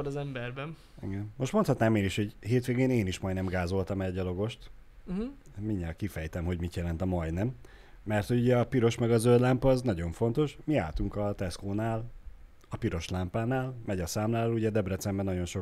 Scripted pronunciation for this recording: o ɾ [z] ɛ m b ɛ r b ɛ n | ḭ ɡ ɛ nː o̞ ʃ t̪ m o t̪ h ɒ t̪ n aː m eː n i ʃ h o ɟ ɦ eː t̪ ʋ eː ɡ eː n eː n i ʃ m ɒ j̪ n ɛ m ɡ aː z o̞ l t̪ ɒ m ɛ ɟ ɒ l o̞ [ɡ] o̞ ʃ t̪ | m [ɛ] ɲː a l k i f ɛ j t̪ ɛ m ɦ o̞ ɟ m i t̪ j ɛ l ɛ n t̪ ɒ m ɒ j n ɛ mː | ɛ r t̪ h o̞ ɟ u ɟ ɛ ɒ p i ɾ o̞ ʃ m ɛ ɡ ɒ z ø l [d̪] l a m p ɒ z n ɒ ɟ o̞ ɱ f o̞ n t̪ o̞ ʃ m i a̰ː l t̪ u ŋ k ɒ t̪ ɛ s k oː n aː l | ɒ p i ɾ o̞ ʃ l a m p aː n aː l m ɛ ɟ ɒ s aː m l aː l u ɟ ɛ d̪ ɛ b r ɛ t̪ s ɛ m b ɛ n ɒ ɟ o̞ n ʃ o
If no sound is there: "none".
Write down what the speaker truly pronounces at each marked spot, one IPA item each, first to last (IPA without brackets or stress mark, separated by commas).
z, ɡ, i, d̪